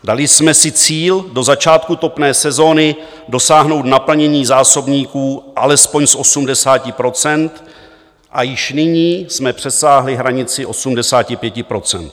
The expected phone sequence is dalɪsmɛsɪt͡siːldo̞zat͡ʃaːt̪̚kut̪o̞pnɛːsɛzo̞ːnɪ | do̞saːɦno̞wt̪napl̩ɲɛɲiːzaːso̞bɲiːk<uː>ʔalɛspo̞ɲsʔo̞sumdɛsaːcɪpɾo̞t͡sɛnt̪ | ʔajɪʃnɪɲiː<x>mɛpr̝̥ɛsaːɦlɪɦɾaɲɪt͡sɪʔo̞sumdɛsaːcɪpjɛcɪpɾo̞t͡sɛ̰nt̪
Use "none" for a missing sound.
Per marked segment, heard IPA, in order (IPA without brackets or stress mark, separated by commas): uː, s